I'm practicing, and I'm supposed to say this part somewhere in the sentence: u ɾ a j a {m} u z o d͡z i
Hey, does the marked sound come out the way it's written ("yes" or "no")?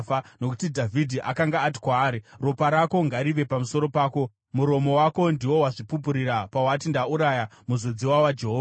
yes